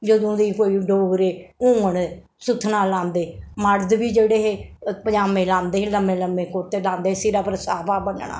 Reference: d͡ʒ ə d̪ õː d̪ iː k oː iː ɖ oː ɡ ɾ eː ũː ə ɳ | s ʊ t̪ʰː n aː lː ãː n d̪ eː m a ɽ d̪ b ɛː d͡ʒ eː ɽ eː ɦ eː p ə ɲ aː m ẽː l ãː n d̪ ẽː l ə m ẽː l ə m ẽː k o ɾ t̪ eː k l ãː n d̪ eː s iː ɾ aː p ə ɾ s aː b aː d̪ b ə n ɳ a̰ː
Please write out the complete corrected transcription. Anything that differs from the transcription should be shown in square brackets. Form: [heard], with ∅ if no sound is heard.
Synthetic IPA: d͡ʒ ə d̪ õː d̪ iː k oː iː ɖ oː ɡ ɾ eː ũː ə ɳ | s ʊ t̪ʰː n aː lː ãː n d̪ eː m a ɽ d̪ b [iː] d͡ʒ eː ɽ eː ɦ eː p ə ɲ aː m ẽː l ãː n d̪ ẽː l ə m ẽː l ə m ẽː k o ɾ t̪ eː [∅] l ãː n d̪ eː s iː ɾ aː p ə ɾ s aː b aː [∅] b ə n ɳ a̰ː